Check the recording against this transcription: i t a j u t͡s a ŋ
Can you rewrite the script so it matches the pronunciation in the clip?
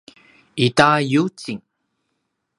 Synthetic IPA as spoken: i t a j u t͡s i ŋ